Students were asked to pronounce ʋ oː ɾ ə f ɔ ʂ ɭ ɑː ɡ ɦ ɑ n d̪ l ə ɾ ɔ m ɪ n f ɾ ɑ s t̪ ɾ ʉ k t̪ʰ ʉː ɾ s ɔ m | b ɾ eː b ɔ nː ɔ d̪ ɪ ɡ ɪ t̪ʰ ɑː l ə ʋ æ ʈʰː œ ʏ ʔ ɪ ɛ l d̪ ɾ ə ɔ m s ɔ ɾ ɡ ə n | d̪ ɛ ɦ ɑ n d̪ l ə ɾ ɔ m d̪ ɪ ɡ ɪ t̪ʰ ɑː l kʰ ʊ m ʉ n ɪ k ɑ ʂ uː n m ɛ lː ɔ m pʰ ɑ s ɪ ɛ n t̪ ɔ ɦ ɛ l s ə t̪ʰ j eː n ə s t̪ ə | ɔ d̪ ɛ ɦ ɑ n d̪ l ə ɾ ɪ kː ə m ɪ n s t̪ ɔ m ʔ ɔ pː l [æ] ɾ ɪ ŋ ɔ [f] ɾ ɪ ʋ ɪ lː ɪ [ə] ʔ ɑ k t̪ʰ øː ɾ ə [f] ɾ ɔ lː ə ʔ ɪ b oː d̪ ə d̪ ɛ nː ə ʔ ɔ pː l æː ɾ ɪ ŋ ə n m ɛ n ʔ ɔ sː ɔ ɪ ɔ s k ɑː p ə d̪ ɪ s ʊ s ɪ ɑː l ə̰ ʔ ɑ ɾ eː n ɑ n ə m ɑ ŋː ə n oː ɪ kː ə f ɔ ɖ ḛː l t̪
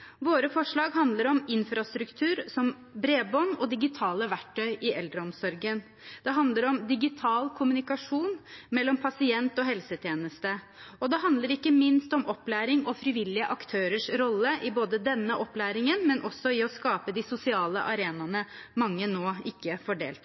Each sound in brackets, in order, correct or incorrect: incorrect: æː, correct, correct, incorrect: ʂ

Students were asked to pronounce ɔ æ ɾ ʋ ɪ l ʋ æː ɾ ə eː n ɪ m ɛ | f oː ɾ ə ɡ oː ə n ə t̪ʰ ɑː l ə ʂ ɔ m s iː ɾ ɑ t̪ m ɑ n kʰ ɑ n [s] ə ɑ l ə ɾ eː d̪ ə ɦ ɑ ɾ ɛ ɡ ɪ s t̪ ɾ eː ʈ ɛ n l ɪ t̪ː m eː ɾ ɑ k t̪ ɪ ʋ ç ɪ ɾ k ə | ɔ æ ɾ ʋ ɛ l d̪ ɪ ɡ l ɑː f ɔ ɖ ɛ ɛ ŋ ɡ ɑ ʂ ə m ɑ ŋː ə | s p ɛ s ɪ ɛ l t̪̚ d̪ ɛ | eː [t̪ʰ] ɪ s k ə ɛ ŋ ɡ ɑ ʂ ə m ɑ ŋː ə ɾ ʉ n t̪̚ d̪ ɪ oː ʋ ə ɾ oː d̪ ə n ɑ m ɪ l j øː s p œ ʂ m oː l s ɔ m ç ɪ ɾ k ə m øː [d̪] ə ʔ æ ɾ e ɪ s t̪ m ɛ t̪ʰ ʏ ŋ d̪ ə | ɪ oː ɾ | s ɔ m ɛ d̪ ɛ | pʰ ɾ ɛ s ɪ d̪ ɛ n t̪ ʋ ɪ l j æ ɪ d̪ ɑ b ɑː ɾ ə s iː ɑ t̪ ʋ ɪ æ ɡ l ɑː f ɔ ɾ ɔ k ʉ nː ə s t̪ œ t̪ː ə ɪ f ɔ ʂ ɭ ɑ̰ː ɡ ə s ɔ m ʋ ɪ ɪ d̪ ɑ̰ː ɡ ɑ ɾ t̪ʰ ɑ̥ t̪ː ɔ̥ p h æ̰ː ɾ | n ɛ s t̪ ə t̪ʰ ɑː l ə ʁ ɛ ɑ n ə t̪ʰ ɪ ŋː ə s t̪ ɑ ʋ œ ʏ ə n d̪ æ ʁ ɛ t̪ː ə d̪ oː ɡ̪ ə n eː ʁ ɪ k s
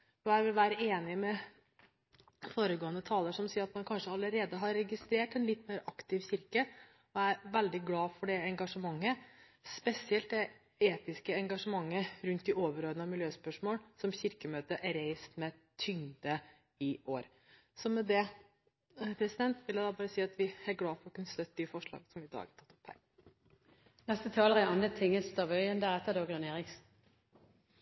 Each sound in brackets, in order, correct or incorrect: incorrect: ʂ, incorrect: t̪, incorrect: t̪

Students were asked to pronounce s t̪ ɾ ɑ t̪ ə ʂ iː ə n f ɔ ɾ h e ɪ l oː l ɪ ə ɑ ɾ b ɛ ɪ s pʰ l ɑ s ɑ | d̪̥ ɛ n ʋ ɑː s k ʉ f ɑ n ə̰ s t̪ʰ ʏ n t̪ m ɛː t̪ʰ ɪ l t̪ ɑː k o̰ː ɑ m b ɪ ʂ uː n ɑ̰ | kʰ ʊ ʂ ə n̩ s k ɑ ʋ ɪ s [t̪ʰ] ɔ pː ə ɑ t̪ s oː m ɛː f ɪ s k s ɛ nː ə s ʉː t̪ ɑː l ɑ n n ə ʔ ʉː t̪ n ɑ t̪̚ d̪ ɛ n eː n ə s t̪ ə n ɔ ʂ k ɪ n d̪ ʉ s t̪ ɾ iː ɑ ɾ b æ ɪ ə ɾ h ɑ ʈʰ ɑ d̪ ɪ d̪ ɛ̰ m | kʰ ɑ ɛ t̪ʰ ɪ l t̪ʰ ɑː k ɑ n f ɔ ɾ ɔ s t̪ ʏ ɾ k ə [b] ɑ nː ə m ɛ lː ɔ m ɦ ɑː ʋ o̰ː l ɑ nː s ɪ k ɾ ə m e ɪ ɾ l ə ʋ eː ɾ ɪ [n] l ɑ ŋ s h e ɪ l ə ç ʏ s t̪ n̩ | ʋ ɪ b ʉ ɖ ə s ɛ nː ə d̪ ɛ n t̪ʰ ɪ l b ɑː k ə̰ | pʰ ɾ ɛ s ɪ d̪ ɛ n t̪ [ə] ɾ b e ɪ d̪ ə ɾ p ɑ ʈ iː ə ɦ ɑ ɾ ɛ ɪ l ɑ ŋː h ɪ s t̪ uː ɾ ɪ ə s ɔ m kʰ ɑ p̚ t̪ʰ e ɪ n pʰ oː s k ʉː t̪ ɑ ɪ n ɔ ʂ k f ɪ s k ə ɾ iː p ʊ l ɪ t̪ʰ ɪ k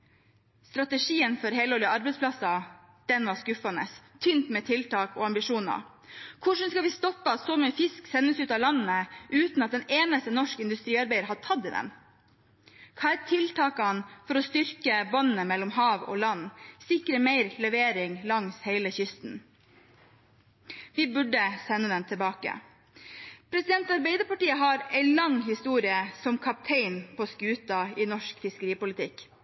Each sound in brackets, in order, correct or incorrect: incorrect: t̪, correct, incorrect: ŋ, incorrect: ɑ

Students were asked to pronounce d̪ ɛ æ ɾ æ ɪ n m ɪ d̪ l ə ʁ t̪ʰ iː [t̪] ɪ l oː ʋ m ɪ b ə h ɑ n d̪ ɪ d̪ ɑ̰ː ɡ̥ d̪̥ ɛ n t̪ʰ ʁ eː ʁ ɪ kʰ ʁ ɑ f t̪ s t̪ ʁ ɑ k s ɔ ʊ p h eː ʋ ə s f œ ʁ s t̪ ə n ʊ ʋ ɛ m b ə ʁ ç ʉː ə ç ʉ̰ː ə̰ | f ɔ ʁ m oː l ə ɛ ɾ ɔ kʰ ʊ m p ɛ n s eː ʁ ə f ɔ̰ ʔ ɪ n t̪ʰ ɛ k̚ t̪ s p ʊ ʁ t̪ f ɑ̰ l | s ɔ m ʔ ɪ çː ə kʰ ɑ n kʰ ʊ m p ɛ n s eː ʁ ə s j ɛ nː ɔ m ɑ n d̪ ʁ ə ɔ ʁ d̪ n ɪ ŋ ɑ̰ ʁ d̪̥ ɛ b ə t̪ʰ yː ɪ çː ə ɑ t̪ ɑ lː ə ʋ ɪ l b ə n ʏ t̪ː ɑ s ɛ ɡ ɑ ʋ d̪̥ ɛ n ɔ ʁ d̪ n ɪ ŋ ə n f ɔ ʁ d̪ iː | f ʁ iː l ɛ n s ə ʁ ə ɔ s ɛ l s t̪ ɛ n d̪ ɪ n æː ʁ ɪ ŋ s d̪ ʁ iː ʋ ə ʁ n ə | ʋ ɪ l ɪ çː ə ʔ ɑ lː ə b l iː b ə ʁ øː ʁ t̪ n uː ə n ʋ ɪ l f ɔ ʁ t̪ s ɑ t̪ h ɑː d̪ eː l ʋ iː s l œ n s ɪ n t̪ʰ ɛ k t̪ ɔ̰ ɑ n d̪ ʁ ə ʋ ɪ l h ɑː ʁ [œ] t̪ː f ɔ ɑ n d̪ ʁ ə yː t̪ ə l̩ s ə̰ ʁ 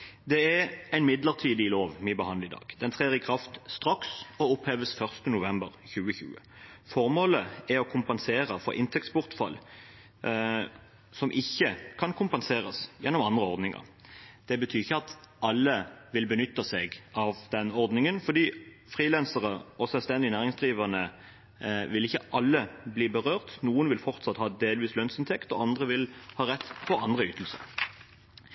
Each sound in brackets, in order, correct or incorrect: incorrect: d̪, incorrect: ɛ

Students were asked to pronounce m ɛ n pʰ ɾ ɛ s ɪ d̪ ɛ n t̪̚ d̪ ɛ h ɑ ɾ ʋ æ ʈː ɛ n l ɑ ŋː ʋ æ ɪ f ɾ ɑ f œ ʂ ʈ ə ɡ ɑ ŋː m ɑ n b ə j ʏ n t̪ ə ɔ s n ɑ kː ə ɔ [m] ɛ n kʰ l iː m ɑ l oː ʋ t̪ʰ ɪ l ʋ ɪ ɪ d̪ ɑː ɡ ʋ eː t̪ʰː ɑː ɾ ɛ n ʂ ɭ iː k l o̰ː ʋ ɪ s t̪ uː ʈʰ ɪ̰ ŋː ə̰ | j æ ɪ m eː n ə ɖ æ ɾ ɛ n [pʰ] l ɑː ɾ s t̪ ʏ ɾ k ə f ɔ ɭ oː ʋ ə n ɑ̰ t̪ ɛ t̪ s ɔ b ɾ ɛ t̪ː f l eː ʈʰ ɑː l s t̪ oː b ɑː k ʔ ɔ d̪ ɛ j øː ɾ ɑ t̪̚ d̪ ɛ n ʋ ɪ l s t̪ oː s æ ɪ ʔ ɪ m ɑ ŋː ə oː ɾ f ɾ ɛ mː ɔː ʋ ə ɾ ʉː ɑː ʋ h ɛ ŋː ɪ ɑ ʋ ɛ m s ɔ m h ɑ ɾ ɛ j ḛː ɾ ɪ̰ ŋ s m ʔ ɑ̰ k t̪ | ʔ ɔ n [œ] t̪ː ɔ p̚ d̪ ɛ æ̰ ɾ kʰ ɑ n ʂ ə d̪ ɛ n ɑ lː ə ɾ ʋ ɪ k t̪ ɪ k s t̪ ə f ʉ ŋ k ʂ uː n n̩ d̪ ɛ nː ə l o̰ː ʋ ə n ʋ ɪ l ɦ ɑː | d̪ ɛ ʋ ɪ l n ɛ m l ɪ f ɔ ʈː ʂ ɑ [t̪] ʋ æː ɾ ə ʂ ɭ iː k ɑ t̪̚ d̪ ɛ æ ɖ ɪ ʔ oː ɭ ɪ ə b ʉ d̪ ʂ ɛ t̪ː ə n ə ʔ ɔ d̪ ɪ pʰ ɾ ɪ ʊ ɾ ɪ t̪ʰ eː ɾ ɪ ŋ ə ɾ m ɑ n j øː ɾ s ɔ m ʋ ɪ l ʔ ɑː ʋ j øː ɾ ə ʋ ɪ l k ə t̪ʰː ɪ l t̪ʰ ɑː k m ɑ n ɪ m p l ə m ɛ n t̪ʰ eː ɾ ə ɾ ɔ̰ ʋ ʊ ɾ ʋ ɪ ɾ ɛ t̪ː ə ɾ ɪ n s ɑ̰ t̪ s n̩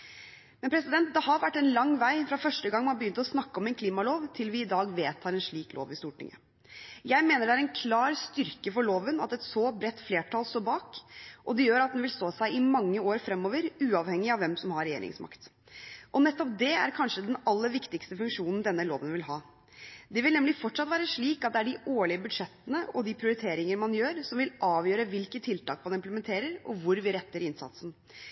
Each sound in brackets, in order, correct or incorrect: correct, incorrect: kʰ, incorrect: ɛ, correct

